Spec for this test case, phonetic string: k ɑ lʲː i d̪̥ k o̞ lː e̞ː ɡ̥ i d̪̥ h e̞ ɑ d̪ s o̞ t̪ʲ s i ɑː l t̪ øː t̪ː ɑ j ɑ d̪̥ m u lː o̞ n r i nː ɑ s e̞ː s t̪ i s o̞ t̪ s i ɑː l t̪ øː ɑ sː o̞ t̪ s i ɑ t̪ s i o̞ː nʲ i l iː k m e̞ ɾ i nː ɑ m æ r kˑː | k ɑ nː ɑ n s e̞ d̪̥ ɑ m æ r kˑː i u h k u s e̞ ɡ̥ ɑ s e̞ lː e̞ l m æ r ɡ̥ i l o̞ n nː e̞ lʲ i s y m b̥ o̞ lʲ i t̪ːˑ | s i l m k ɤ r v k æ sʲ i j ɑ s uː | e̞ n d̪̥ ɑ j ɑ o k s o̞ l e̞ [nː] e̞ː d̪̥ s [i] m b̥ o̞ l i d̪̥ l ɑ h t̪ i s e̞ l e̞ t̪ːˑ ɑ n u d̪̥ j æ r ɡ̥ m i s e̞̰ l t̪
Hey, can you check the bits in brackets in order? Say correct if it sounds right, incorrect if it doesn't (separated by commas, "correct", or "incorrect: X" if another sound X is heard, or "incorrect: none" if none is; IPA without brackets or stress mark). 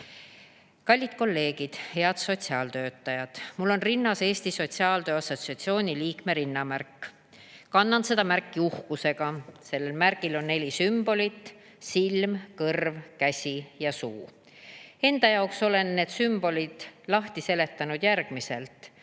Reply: correct, incorrect: y